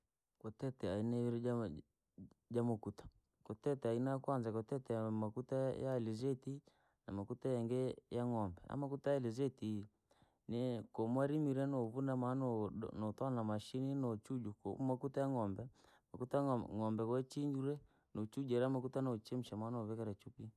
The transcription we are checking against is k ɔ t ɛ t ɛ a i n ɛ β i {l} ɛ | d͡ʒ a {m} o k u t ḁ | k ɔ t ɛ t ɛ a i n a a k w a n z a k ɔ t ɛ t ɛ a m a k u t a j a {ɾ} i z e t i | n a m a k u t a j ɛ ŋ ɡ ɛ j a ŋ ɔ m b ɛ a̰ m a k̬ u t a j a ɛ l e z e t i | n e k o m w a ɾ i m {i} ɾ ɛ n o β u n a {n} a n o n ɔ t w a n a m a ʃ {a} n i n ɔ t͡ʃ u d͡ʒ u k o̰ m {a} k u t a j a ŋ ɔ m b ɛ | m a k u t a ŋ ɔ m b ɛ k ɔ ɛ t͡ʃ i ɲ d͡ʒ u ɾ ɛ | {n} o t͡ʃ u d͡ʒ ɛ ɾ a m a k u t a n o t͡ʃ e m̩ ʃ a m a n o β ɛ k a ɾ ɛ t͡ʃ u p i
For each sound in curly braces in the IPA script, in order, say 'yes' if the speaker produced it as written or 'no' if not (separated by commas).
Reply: no, yes, no, yes, no, no, yes, yes